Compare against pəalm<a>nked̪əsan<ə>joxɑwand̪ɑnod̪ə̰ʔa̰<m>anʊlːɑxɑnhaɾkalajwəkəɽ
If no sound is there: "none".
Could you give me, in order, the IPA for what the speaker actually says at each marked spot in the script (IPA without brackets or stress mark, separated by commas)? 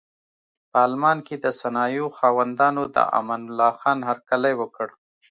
ɑ, ɑ, m